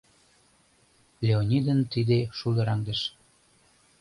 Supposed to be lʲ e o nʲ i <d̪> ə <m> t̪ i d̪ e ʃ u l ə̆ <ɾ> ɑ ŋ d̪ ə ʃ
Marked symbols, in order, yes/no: yes, no, yes

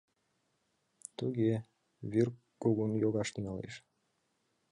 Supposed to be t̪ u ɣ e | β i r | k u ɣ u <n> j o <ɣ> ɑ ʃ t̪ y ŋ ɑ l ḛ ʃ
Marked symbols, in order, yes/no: yes, yes

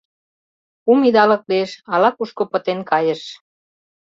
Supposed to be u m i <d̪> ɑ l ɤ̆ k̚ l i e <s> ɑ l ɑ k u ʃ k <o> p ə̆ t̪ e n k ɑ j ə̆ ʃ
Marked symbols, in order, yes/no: yes, no, yes

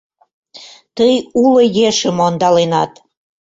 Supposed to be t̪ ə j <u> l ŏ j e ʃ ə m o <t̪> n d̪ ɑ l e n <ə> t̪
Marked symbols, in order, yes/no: yes, no, no

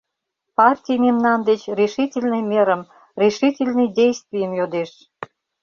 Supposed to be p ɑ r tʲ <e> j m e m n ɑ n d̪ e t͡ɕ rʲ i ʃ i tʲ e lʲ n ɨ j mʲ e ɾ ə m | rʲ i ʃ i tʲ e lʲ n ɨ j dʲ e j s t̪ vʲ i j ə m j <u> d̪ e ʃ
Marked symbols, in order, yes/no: no, no

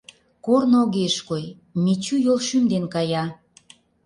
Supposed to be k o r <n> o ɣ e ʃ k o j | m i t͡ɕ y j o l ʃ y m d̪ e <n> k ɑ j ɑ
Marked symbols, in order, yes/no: yes, yes

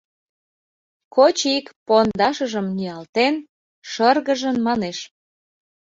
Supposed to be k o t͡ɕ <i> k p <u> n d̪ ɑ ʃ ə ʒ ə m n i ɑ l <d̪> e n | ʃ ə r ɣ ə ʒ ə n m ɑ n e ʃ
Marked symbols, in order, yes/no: yes, no, no

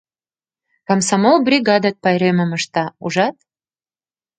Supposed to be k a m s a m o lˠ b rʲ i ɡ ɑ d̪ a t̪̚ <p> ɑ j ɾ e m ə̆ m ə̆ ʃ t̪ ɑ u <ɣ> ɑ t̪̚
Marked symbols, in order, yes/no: yes, no

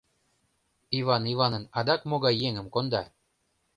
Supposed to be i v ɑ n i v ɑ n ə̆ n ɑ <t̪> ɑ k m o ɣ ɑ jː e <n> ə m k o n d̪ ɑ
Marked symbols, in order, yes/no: no, no

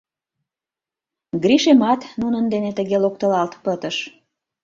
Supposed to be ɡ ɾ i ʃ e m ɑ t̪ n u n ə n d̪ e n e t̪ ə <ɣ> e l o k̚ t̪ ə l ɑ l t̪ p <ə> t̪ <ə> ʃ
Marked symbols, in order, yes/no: yes, yes, yes

